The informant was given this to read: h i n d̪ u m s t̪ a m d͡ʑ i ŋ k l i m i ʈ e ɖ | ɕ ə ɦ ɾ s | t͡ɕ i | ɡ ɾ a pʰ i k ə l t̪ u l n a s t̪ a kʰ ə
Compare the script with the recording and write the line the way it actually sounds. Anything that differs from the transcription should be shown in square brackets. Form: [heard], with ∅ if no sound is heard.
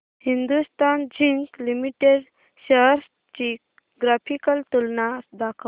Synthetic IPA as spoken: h i n d̪ u [∅] s t̪ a [n] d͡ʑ i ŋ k l i m i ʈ e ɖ | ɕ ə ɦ ɾ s | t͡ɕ i | ɡ ɾ a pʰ i k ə l t̪ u l n a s [d̪] a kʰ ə